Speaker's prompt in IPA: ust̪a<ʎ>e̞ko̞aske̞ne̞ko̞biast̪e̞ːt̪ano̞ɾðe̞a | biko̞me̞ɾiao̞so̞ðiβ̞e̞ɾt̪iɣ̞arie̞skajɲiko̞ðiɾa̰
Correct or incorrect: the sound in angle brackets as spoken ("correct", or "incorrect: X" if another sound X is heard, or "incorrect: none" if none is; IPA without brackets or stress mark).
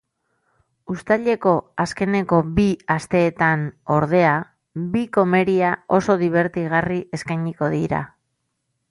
correct